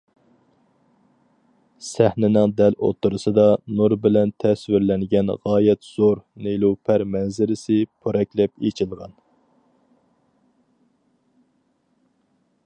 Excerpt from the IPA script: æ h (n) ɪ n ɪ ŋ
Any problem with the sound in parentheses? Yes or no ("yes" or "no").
no